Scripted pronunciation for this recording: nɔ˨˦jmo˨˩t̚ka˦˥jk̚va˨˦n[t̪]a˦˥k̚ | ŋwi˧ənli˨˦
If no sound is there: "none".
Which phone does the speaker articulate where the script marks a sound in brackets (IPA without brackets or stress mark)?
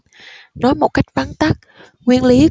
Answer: t̪